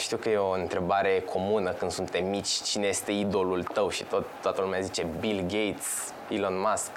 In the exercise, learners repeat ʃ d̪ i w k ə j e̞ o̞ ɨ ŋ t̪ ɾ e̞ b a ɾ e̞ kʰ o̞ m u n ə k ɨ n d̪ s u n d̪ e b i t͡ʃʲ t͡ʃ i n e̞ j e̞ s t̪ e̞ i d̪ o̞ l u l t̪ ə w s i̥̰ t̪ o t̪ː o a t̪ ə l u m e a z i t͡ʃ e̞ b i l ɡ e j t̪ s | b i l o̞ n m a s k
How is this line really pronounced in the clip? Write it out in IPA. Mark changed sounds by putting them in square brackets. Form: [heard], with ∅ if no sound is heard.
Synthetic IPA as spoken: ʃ [t̪] i w k ə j e̞ o̞ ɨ [n] t̪ ɾ e̞ b a ɾ e̞ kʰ o̞ m u n ə k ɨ n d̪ s u n [t̪] e [m] i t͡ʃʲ t͡ʃ i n e̞ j e̞ s t̪ e̞ i d̪ o̞ l u l t̪ ə w [ʃ] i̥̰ t̪ o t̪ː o a t̪ ə l u m e a z i t͡ʃ e̞ b i l ɡ e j t̪ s | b i l o̞ n m a s k